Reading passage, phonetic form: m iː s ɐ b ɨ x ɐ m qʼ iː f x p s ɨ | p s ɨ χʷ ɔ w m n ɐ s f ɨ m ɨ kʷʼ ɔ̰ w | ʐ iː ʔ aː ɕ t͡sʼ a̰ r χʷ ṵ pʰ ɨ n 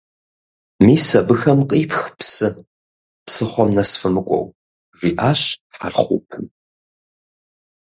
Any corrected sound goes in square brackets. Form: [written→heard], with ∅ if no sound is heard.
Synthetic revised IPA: m iː s ɐ b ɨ x ɐ m qʼ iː f x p s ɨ | p s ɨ χʷ ɔ [w→∅] m n ɐ s f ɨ m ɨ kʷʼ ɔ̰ w | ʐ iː ʔ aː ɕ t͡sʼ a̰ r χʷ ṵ pʰ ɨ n